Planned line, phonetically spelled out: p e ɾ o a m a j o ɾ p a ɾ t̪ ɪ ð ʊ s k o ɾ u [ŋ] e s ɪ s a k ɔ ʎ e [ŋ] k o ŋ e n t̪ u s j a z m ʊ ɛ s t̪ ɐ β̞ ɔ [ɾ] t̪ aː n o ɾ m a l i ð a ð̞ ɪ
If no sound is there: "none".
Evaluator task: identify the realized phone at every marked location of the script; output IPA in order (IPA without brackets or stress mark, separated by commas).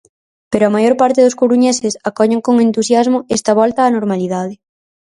ɲ, ŋ, l